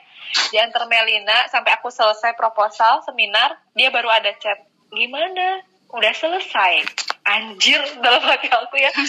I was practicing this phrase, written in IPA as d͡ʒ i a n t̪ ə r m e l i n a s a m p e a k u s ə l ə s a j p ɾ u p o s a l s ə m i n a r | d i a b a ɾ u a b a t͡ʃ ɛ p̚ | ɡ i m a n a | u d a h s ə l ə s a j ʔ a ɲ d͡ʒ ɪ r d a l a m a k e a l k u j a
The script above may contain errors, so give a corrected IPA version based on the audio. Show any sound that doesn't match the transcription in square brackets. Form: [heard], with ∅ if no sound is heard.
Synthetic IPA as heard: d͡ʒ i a n t̪ ə r m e l i n a s a m p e a k u s ə l ə s a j p ɾ [o] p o s a l s ə m i n a r | d i a b a ɾ u a [d] a t͡ʃ ɛ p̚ | ɡ i m a n a | u d a h s ə l ə s a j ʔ a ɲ d͡ʒ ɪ r d a l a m a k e a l k u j a